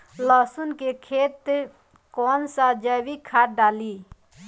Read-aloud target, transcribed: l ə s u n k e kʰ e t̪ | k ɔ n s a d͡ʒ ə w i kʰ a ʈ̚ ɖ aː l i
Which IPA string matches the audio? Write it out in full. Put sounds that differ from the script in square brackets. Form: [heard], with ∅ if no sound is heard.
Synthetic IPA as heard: l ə s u n k e kʰ e t̪ | k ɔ n s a d͡ʒ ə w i kʰ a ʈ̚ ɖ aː l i